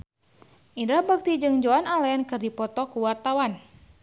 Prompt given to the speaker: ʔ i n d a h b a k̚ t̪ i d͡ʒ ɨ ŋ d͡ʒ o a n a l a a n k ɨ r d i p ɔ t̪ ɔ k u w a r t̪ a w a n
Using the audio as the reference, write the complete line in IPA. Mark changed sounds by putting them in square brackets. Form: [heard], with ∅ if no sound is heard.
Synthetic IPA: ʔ i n d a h b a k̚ t̪ i d͡ʒ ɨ ŋ d͡ʒ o a n a l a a n k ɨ r d i p ɔ t̪ ɔ k u w a r t̪ a w a n

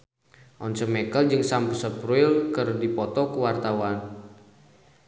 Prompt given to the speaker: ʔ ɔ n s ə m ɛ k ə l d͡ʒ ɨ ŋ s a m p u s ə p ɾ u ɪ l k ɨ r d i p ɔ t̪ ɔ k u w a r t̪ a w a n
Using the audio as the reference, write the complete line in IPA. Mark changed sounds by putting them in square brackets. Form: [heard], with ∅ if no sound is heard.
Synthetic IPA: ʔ ɔ n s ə m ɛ k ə l d͡ʒ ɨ ŋ s a m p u s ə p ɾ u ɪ l k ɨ r d i p ɔ t̪ ɔ k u w a r t̪ a w a n

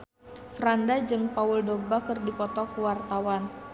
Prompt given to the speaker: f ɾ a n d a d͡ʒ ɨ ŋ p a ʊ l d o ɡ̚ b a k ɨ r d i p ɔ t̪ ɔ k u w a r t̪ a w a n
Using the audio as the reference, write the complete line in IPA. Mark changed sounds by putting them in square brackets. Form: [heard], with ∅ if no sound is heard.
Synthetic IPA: f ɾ a n d a d͡ʒ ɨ ŋ p a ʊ l d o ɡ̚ b a k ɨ r d i p ɔ t̪ ɔ k u w a r t̪ a w a n

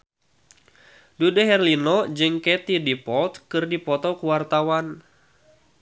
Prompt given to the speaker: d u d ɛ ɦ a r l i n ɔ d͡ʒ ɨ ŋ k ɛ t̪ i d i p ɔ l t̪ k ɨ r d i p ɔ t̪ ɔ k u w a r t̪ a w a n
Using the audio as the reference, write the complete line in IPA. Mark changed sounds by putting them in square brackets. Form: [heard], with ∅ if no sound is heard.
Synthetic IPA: d u d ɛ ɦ [ɛ] r l i n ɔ d͡ʒ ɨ ŋ k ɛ t̪ i d i p ɔ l t̪ k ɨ r d i p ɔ t̪ ɔ k u w a r t̪ a w a n

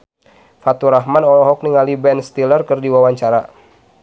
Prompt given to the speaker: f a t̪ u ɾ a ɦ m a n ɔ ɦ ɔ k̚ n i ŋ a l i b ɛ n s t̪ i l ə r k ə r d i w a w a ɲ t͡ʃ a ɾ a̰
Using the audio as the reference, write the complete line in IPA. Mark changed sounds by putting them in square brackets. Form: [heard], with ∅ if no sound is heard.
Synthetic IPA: f a t̪ u ɾ a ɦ m a n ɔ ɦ ɔ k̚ n i ŋ a l i b ɛ n s t̪ i l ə r k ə r d i w a w a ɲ t͡ʃ a ɾ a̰

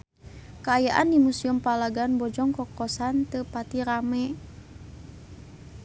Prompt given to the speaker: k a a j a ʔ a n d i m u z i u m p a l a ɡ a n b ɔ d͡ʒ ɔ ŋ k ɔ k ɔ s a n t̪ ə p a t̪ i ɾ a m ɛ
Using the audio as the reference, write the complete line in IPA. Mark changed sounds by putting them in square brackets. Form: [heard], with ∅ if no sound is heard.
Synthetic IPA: k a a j a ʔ a n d i m u [s] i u m p a l a ɡ a n b ɔ d͡ʒ ɔ ŋ k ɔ k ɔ s a n t̪ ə p a t̪ i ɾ a m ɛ

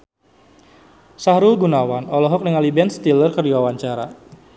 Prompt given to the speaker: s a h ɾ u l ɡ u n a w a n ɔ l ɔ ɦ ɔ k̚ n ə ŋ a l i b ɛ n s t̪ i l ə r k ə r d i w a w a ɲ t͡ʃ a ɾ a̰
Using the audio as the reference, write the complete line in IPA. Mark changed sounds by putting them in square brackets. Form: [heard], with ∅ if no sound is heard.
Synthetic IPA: s a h ɾ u l ɡ u n a w a n ɔ l ɔ ɦ ɔ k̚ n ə ŋ a l i b ɛ n s t̪ i l ə r k ə r d i w a w a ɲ t͡ʃ a ɾ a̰

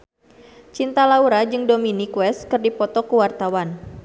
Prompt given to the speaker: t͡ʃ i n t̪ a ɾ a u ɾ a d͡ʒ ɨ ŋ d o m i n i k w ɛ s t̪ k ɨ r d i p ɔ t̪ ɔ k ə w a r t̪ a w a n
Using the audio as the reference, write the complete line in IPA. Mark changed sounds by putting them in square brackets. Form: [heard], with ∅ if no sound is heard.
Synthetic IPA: t͡ʃ i n t̪ a [l] a u ɾ a d͡ʒ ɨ ŋ d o m i n i k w ɛ s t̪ k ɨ r d i p ɔ t̪ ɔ k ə w a r t̪ a w a n

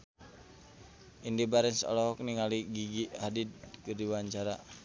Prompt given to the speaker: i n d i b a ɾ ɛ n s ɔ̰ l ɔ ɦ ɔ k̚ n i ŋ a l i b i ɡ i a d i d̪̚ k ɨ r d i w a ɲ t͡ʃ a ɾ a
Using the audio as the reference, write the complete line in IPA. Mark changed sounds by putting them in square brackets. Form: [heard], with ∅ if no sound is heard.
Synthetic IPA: i n d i b a ɾ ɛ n s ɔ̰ l ɔ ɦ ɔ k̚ n i ŋ a l i [ɡ] i ɡ i a d i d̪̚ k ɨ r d i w a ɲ t͡ʃ a ɾ a

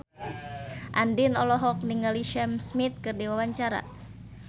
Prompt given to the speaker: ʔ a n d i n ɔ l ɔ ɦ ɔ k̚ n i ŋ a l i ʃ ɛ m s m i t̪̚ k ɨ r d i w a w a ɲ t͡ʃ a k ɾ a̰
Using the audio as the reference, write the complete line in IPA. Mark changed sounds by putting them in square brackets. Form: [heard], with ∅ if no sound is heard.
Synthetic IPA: ʔ a n d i n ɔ l ɔ ɦ ɔ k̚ n i ŋ a l i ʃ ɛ m s m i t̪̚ k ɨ r d i w a w a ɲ t͡ʃ a [∅] ɾ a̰

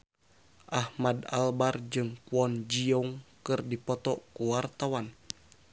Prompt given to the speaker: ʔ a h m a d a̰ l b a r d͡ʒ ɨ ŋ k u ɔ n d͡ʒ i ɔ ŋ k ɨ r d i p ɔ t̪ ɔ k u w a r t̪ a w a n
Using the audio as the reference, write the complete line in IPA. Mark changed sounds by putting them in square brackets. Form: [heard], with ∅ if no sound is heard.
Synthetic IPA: ʔ a h m a d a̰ l b a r d͡ʒ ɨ ŋ k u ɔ n d͡ʒ i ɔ ŋ k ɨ r d i p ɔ t̪ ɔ k u w a r t̪ a w a n

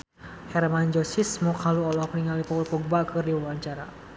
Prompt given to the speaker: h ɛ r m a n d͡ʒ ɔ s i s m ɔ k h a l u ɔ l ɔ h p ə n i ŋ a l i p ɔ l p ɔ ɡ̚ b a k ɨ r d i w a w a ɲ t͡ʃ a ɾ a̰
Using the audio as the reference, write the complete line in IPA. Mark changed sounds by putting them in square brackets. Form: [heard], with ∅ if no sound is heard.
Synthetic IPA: h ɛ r m a n d͡ʒ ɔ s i s m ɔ k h a l u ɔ l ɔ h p ə n i ŋ a l i p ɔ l p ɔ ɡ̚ b a k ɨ r d i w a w a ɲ t͡ʃ a ɾ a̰

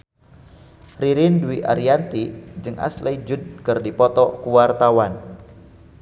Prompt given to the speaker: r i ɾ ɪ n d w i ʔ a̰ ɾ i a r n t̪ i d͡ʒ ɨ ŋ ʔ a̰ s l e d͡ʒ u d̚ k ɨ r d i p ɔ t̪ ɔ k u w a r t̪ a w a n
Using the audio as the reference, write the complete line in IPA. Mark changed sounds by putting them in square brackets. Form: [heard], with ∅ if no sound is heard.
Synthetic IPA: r i ɾ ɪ n d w i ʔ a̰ ɾ i a [∅] n t̪ i d͡ʒ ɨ ŋ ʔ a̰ s l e d͡ʒ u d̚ k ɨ r d i p ɔ t̪ ɔ k u w a r t̪ a w a n

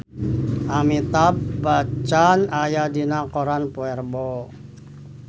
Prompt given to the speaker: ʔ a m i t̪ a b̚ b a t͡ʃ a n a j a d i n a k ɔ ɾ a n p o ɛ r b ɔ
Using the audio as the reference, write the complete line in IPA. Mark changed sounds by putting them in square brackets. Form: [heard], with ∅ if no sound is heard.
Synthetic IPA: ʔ a m i t̪ a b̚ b a t͡ʃ a n a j a d i n a k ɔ ɾ a n p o ɛ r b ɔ

